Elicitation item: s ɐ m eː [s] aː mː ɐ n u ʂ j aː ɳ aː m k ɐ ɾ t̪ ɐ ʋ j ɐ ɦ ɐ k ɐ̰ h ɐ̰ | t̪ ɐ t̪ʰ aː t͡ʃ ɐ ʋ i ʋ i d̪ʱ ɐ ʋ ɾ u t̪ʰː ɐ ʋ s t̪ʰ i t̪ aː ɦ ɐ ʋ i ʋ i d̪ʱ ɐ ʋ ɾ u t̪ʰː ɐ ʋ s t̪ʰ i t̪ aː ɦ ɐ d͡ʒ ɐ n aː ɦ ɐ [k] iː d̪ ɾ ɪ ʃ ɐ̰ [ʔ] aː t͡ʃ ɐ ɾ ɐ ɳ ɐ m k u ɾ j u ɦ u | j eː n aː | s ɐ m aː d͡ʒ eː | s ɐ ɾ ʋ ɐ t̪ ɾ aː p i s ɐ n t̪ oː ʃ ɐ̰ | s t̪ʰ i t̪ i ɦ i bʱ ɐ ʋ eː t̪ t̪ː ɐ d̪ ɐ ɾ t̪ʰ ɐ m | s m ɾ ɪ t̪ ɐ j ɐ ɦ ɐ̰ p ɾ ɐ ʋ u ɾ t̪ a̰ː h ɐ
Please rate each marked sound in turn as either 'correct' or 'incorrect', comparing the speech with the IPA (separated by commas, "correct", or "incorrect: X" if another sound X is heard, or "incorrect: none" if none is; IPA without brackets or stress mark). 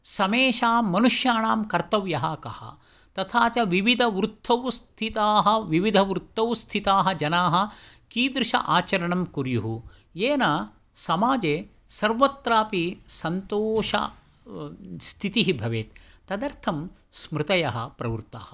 incorrect: ʃ, correct, correct